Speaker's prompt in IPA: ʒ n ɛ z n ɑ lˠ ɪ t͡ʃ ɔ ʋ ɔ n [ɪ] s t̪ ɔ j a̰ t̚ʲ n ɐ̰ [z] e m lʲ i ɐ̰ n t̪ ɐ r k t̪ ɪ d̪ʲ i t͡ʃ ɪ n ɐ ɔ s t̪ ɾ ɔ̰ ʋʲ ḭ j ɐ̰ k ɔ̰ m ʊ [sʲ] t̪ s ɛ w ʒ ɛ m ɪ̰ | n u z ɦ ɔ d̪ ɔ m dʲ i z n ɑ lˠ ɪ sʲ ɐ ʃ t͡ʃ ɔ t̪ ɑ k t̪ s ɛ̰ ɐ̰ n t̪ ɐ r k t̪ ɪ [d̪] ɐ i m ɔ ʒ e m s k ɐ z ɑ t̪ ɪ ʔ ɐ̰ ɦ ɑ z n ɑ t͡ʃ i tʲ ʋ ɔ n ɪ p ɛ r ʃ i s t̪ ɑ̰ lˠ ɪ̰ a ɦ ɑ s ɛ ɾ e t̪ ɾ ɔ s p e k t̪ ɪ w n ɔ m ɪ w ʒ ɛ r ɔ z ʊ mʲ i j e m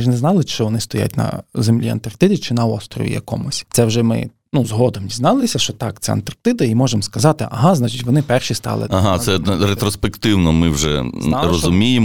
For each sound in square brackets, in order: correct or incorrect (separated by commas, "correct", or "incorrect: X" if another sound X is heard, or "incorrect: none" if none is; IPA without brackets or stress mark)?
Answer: correct, correct, correct, correct